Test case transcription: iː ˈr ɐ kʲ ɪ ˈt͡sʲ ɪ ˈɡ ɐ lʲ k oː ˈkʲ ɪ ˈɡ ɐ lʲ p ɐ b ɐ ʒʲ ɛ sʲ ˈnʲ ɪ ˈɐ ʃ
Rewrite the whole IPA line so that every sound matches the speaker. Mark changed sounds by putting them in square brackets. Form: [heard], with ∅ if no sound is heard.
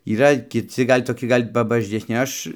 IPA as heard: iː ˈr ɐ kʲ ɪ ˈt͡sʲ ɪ ˈɡ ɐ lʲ [t] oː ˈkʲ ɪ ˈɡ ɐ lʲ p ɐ b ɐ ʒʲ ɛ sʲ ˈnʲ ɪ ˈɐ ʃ

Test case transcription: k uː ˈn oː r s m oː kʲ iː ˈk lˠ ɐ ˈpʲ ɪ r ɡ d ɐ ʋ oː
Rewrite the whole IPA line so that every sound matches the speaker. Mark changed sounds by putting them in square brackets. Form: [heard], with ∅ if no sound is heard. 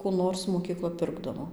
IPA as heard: k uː ˈn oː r s m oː kʲ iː ˈk lˠ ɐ ˈpʲ ɪ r ɡ d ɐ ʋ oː

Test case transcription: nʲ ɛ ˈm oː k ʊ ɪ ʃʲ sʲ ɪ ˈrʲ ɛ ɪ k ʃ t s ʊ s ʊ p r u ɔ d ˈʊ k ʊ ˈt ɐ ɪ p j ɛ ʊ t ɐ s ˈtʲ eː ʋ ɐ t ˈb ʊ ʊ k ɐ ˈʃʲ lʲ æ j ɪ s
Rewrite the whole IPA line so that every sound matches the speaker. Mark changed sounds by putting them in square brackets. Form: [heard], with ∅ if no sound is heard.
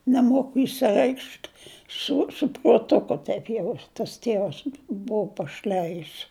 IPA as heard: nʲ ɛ ˈm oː k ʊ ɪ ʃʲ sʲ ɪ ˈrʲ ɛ ɪ k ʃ t s ʊ s ʊ p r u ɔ [t] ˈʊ k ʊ ˈt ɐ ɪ p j ɛ ʊ t ɐ s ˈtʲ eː ʋ ɐ [s] ˈb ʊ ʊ [p] ɐ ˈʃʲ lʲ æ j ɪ s

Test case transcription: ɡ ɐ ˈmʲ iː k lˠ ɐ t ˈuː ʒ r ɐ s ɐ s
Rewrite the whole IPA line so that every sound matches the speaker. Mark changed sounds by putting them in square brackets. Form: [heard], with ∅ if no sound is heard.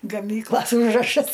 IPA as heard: ɡ ɐ ˈmʲ iː k lˠ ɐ [s] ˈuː ʒ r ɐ [ʃ] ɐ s

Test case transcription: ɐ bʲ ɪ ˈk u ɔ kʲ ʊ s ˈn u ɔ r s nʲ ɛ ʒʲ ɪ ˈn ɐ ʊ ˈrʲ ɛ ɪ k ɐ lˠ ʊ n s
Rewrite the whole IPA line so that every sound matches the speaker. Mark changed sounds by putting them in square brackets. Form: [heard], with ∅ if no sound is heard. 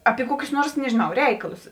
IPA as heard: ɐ [pʲ] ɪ ˈk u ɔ kʲ ʊ s ˈn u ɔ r s nʲ ɛ ʒʲ ɪ ˈn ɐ ʊ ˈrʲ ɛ ɪ k ɐ lˠ ʊ [∅] s

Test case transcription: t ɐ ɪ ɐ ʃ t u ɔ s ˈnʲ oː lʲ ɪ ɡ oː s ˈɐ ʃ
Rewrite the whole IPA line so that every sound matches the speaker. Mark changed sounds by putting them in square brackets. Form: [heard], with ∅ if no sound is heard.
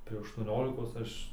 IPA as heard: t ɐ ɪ ɐ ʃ t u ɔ [∅] ˈnʲ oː lʲ ɪ [k] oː s ˈɐ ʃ

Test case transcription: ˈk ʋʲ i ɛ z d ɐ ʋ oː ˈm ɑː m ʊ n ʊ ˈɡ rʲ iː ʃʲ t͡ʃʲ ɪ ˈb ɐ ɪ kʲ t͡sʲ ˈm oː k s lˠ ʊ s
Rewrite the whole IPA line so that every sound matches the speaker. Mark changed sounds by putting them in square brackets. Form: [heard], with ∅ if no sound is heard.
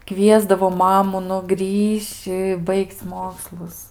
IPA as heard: ˈk ʋʲ i ɛ z d ɐ ʋ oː ˈm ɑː m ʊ n ʊ ˈɡ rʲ iː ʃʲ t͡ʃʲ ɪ ˈb ɐ ɪ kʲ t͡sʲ ˈm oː k s lˠ ʊ s

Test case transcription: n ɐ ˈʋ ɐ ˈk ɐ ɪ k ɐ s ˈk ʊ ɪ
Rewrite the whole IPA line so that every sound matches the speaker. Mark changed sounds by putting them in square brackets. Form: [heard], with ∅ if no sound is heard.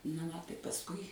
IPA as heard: n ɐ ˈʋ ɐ [ˈt] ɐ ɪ [p] ɐ s ˈk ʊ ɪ

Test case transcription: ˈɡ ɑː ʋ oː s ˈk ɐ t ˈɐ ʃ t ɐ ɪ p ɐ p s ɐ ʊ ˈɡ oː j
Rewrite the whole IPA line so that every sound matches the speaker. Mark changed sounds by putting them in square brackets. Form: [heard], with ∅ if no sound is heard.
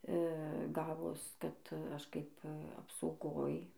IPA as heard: ˈɡ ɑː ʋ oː s ˈk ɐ t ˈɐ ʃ [k] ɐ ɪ p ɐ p s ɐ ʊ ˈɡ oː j

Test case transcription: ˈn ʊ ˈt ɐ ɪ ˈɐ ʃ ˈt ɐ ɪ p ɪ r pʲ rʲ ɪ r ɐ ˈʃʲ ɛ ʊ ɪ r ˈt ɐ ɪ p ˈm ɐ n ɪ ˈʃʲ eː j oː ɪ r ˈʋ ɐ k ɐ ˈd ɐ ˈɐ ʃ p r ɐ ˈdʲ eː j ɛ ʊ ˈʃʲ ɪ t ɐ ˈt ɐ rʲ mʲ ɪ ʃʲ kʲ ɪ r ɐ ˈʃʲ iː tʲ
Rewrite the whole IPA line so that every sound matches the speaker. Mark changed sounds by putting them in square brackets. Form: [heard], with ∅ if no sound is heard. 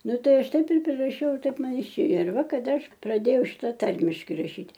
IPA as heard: ˈn ʊ ˈt ɐ ɪ ˈɐ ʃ ˈt ɐ ɪ p ɪ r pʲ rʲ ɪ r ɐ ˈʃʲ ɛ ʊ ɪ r ˈt ɐ ɪ p ˈm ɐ n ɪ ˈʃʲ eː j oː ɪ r ˈʋ ɐ k ɐ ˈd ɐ ˈɐ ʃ p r ɐ ˈdʲ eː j ɛ ʊ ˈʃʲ ɪ t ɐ ˈt ɐ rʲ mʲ ɪ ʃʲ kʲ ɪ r ɐ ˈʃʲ iː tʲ

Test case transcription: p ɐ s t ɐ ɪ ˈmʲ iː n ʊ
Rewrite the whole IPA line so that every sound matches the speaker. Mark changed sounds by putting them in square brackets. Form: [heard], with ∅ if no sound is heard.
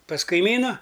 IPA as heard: p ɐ s [k] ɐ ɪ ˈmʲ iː n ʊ

